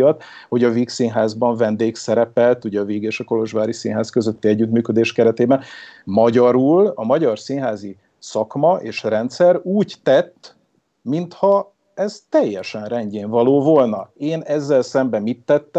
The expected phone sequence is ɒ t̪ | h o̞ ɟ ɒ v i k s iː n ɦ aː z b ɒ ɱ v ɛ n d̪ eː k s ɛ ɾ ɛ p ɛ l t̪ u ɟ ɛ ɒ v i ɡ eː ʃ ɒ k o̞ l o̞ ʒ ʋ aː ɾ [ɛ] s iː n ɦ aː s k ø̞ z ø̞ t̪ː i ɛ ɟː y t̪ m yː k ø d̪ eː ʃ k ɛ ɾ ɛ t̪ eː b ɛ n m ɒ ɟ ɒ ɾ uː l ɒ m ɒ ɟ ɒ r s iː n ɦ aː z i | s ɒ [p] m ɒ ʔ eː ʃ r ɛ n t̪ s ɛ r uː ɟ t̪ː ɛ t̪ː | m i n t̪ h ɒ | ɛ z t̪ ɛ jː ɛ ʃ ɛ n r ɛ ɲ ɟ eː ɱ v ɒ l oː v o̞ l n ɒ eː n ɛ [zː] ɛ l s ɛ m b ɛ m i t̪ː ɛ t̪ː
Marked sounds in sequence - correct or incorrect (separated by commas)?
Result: incorrect, incorrect, correct